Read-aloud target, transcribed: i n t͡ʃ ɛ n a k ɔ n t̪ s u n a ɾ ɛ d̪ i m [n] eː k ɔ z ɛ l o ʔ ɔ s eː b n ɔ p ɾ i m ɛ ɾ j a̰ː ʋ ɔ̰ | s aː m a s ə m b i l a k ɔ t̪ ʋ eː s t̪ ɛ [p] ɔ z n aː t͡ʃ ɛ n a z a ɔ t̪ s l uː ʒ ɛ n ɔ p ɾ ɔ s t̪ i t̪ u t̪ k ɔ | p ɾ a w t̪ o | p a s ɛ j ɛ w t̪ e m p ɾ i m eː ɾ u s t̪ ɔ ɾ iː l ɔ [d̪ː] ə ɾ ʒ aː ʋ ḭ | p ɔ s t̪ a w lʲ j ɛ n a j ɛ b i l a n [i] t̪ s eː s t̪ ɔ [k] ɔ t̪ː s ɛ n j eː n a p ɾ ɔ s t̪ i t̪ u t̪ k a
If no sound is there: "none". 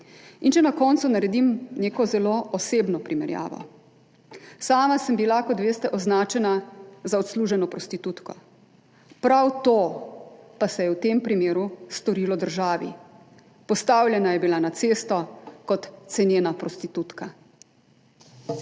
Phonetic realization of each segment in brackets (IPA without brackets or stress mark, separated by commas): n, ʔ, d̪, a, k